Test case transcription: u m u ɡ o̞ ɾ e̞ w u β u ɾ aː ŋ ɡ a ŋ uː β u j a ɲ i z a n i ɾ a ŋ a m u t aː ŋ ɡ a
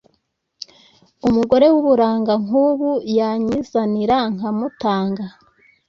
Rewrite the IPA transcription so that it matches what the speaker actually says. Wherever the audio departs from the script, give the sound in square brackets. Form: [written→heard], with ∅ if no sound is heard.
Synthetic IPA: u m u ɡ o̞ ɾ e̞ w u β u ɾ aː ŋ ɡ a ŋ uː β u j a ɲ i z a n i ɾ a ŋ a m u t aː ŋ ɡ a